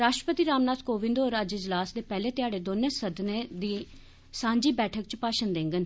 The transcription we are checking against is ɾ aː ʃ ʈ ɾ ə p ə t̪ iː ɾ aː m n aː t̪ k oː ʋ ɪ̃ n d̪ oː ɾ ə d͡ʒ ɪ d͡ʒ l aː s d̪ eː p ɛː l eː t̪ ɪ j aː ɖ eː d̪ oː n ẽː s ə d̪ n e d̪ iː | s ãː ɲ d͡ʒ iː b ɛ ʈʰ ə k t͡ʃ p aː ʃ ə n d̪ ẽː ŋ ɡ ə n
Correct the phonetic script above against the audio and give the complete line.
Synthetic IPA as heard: ɾ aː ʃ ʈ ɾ ə p ə t̪ iː ɾ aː m n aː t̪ k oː ʋ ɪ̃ n d̪ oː ɾ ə d͡ʒ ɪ d͡ʒ l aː s d̪ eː p ɛː l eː t̪ ɪ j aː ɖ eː d̪ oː n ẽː s ə d̪ n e d̪ iː | s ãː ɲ d͡ʒ iː b ɛː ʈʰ ə k t͡ʃ p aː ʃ ə n d̪ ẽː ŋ ɡ ə n